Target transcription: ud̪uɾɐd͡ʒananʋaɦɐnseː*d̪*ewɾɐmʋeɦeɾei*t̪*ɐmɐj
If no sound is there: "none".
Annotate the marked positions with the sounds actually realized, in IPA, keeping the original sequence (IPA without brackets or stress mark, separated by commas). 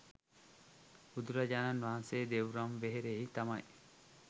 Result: d̪, t̪